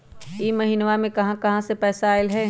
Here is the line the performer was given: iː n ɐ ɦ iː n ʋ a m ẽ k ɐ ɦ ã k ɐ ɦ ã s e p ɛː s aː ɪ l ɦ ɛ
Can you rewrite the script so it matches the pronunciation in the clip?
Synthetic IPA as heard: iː m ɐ ɦ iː n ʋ a m ẽ k ɐ ɦ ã k ɐ ɦ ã s e p ɛː s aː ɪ l ɦ ɛ